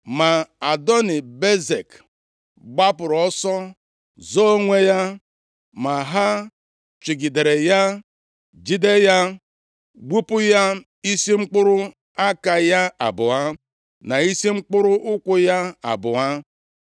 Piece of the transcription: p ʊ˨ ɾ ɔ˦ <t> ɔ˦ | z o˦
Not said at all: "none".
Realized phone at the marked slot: s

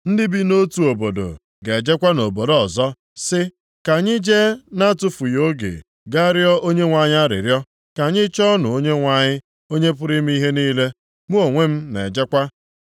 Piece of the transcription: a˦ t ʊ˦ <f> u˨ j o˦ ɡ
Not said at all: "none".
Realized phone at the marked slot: f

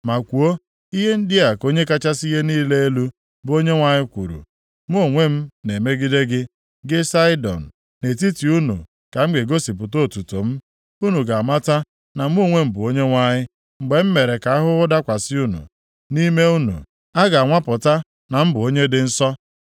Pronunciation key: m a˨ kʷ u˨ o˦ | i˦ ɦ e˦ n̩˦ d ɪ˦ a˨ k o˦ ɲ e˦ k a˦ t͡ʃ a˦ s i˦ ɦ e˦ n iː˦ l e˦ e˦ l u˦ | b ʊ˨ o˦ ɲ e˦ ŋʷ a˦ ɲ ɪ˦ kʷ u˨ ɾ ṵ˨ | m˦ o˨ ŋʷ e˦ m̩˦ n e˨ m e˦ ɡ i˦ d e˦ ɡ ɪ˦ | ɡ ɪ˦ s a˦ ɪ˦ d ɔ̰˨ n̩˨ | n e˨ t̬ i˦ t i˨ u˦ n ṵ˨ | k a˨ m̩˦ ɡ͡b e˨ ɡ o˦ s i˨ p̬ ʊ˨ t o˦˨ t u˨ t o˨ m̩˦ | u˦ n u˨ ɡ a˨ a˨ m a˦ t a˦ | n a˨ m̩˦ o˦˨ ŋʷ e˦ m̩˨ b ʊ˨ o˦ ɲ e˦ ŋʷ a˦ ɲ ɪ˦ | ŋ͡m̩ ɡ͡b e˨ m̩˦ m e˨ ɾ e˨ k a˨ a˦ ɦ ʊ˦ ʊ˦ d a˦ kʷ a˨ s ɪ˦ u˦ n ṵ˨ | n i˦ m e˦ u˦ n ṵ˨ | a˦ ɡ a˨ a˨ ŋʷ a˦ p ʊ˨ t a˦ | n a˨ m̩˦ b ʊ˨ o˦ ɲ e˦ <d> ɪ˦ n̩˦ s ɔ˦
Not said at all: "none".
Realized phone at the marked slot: d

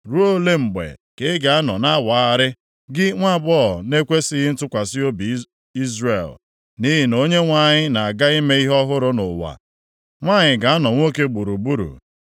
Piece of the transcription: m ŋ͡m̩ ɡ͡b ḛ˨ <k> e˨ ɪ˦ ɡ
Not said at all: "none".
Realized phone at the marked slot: k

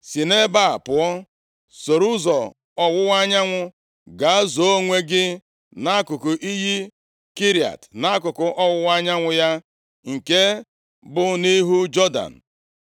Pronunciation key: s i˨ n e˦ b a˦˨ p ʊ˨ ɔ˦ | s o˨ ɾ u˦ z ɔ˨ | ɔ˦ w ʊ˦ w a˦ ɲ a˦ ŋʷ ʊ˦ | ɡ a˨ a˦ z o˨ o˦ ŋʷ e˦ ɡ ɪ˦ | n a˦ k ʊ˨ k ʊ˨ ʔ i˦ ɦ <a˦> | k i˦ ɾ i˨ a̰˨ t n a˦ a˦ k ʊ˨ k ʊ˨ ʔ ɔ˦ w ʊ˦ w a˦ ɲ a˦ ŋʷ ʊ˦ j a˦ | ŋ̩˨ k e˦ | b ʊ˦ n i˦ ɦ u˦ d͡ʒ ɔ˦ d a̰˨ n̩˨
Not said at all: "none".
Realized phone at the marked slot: i˦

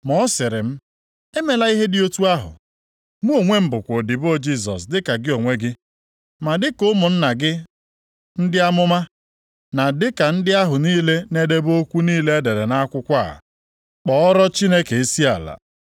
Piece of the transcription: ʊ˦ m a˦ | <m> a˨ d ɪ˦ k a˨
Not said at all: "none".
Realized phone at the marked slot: n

